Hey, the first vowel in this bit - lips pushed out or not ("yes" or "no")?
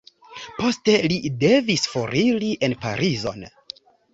yes